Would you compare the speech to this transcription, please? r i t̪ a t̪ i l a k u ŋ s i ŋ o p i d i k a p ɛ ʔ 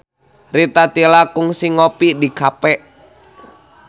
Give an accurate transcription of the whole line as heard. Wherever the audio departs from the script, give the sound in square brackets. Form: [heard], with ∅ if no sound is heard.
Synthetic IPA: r i t̪ a t̪ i l a k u ŋ s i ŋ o p i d i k a p ɛ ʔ